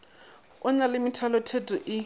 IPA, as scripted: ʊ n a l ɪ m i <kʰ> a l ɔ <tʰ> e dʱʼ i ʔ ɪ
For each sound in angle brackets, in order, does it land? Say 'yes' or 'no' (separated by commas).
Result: no, yes